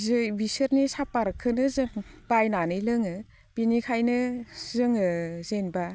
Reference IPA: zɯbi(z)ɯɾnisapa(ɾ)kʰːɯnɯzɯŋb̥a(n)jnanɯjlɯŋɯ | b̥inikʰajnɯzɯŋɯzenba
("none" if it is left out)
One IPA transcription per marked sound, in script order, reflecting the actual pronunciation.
s, ɾ, none

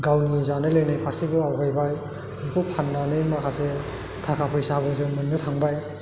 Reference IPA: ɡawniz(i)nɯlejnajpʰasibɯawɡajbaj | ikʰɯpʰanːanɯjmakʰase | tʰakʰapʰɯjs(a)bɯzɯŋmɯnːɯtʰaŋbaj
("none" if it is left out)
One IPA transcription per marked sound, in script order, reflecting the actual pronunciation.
a, a

